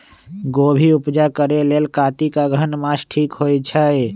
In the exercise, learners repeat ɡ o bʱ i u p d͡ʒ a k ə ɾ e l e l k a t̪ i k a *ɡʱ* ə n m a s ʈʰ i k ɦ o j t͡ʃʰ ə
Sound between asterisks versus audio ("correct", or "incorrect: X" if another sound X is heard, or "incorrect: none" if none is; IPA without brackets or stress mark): correct